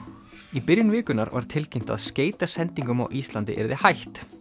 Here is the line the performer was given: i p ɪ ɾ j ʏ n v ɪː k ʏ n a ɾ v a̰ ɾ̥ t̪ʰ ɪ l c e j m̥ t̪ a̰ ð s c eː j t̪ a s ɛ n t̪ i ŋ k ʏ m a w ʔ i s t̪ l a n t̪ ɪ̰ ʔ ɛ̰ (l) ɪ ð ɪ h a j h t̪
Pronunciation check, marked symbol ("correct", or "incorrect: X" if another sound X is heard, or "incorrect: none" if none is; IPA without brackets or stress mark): incorrect: ɾ